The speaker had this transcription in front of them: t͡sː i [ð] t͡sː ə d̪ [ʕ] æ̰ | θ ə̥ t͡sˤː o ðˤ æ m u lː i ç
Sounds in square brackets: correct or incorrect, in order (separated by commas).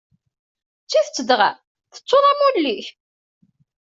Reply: incorrect, incorrect